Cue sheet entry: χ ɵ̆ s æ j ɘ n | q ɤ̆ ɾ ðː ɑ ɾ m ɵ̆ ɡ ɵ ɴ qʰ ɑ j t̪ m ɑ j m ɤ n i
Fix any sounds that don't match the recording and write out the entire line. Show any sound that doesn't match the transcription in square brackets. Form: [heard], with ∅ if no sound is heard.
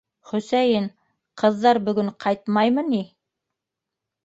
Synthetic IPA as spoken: χ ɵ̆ s æ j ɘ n | q ɤ̆ [∅] ðː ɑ ɾ [b] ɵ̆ ɡ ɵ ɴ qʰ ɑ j t̪ m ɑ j m ɤ n i